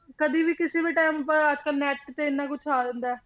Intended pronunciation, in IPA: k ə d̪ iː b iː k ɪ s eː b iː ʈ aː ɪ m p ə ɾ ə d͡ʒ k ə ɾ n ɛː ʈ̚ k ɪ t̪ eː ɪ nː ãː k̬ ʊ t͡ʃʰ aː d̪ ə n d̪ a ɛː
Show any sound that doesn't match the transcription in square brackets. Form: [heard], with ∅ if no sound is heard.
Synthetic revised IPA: k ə d̪ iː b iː k ɪ s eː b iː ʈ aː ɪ m p ə ɾ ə d͡ʒ k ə [l] n ɛː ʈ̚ k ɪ t̪ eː ɪ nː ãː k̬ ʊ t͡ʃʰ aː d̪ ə n d̪ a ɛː